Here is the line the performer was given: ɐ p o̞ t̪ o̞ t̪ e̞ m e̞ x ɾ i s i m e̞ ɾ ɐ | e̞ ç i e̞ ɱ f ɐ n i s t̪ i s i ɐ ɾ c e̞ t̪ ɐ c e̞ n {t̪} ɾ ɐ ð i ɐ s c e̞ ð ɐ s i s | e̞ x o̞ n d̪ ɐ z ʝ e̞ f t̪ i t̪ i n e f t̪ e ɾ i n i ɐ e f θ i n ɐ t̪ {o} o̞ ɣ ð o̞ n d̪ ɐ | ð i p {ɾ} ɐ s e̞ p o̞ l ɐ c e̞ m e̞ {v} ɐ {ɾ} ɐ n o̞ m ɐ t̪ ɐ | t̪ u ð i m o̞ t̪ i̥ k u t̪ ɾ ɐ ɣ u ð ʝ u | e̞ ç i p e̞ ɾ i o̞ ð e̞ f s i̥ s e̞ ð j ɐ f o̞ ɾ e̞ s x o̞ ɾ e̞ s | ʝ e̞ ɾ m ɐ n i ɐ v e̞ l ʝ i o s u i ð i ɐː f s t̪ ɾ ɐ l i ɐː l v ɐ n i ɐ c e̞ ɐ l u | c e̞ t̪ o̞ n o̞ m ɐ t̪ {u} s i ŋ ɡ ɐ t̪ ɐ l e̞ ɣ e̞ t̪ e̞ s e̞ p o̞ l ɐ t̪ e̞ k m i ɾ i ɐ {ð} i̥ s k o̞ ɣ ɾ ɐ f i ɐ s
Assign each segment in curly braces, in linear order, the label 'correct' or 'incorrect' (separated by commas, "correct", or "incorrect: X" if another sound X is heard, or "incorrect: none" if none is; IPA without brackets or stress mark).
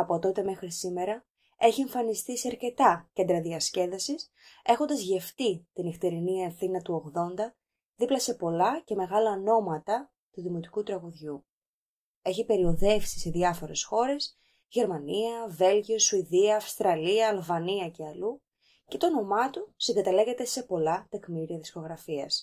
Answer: incorrect: d̪, incorrect: u, incorrect: l, incorrect: ɣ, incorrect: l, correct, correct